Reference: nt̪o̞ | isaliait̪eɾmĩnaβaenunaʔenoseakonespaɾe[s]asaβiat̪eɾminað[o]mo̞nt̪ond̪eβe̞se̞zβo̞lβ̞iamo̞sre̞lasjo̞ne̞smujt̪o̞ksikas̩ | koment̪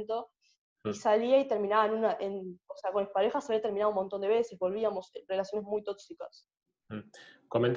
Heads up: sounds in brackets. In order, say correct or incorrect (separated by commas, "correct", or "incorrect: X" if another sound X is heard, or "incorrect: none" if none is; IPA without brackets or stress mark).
incorrect: x, incorrect: u